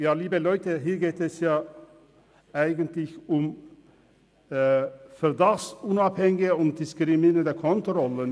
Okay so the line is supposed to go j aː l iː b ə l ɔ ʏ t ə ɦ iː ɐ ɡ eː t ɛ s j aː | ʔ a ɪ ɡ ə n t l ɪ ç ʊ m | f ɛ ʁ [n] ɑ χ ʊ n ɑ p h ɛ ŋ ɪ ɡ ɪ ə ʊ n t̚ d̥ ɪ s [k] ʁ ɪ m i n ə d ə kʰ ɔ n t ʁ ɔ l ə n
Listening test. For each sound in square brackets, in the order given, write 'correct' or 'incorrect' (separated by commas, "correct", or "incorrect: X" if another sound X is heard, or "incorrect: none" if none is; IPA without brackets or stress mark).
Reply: incorrect: d, correct